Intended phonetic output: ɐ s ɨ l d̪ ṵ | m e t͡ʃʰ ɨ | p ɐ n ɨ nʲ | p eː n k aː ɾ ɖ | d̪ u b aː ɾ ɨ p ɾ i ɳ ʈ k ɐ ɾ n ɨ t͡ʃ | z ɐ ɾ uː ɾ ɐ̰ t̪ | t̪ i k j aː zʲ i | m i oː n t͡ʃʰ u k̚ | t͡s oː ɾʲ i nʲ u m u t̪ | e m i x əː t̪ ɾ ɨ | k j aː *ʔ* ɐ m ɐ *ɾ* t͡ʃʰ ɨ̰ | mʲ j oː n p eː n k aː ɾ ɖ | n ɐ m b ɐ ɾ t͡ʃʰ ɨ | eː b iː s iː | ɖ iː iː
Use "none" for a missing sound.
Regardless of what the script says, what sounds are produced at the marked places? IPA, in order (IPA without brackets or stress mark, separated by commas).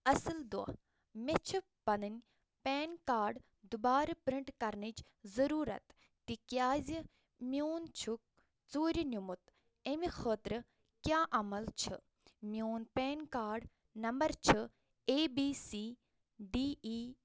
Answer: ʔ, l